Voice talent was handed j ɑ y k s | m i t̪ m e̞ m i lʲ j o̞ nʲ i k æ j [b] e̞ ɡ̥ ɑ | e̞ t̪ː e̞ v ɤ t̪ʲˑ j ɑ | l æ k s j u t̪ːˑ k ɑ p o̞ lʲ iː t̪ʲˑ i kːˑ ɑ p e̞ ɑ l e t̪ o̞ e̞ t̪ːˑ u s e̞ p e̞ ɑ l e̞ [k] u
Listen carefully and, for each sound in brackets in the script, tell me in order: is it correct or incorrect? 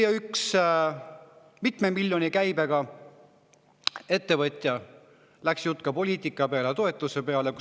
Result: correct, correct

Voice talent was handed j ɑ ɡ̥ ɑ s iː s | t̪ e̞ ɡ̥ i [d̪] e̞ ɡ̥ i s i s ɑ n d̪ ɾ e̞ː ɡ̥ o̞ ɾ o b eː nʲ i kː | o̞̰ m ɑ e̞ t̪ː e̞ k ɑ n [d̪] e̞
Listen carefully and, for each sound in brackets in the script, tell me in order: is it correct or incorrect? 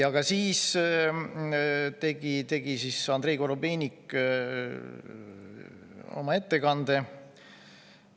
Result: incorrect, correct

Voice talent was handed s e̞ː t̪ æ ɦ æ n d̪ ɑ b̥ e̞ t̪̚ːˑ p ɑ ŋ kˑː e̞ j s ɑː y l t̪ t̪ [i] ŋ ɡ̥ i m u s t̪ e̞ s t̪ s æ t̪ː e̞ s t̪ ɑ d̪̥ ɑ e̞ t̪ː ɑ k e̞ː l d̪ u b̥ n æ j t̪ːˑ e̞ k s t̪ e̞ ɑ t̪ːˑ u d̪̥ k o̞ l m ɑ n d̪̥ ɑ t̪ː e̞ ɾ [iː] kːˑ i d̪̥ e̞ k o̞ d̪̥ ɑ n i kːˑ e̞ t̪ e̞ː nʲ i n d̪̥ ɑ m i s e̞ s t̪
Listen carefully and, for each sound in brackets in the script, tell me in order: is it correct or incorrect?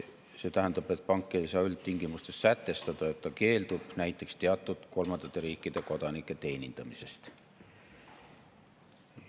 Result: correct, correct

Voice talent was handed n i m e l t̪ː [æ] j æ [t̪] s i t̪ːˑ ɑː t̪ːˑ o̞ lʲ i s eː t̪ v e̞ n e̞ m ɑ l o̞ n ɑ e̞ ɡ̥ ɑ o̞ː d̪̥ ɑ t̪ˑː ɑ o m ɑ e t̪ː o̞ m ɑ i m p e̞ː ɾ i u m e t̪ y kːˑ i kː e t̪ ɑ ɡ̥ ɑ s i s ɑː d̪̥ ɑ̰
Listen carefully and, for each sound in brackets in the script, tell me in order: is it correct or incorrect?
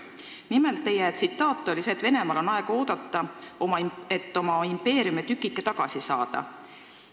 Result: incorrect, correct

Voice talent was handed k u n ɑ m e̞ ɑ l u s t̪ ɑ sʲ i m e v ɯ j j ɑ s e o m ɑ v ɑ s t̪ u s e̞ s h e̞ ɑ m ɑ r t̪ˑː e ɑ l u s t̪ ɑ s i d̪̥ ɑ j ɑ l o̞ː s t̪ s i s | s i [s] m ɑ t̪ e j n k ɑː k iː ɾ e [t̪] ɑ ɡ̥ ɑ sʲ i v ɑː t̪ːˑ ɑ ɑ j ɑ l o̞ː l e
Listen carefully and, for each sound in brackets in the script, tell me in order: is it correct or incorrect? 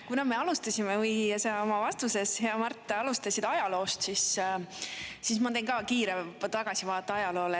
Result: correct, correct

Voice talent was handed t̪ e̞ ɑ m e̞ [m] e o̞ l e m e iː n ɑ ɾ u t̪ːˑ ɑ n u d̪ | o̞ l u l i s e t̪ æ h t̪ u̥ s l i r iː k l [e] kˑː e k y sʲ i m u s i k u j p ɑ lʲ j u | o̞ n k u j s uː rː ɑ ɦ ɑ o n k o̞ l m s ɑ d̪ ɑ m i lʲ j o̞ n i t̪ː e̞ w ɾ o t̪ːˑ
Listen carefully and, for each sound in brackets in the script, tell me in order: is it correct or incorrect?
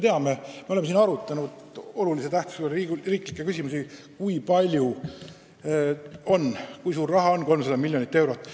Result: correct, incorrect

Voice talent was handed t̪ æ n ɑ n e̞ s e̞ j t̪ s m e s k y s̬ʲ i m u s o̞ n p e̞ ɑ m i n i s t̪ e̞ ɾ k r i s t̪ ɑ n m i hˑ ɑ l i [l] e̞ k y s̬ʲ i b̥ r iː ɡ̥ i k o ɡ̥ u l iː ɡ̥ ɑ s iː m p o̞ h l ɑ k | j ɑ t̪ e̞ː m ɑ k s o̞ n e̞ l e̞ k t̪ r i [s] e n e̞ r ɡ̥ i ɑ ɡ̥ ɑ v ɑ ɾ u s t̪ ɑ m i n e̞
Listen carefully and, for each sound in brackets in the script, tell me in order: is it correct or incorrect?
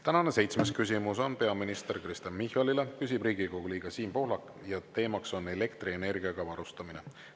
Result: correct, incorrect

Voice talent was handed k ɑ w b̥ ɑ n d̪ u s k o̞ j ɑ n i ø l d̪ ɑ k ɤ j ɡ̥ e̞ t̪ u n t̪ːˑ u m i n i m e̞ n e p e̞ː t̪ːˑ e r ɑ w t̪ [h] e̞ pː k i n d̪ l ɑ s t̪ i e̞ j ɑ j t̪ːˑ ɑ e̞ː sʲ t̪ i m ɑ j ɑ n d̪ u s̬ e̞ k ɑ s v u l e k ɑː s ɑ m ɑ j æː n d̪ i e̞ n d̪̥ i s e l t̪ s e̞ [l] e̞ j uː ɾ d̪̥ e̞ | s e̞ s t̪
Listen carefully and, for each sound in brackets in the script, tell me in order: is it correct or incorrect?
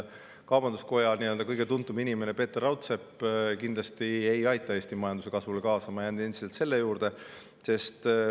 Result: incorrect, incorrect

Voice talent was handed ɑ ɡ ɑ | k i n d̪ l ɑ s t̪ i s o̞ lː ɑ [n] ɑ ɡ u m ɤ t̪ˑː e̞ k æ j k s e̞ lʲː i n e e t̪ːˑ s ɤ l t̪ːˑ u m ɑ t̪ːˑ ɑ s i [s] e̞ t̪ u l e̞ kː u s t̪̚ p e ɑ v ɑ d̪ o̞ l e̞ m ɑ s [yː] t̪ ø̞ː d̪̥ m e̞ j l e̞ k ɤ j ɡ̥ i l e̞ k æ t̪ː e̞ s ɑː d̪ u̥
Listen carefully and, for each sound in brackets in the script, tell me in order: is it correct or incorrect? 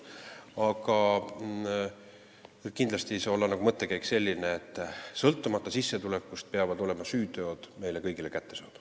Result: correct, incorrect, correct

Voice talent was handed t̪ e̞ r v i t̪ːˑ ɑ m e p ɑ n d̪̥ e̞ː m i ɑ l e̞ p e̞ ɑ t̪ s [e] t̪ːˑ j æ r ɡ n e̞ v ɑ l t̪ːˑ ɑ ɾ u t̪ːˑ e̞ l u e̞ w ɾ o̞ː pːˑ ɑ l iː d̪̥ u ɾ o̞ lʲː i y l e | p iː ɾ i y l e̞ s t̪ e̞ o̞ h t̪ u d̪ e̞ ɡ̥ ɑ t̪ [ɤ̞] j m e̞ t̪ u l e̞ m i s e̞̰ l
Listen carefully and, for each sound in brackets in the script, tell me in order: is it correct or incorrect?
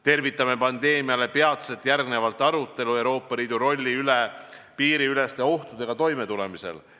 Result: correct, incorrect

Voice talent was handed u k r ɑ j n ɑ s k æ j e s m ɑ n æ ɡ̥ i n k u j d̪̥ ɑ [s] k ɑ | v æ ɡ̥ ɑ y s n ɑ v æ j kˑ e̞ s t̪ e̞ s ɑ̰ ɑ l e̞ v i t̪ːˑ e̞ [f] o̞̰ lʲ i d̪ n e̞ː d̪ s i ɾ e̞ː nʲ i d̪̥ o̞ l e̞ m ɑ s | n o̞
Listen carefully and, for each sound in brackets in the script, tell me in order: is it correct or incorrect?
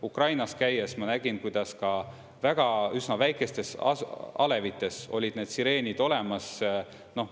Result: correct, incorrect

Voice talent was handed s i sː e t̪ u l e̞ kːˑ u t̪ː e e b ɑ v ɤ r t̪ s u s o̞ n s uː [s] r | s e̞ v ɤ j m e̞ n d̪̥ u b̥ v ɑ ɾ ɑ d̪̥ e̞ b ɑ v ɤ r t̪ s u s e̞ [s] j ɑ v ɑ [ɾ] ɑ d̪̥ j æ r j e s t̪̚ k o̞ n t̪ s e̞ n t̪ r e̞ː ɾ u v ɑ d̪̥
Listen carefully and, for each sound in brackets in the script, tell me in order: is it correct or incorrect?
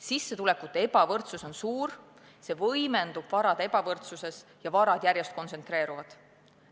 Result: incorrect, correct, correct

